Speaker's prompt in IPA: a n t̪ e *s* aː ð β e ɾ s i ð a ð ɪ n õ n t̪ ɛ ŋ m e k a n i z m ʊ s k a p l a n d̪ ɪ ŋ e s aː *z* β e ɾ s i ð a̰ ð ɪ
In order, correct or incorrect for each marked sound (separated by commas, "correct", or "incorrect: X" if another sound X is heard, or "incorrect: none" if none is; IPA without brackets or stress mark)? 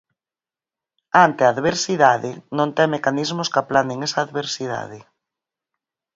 incorrect: none, incorrect: ð